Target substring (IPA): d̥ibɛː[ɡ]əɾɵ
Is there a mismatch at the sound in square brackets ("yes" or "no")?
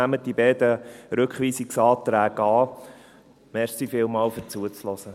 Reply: yes